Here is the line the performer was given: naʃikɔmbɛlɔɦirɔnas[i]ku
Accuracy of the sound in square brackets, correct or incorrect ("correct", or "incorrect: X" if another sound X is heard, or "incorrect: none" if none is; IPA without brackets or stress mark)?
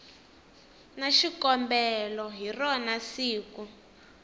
incorrect: iː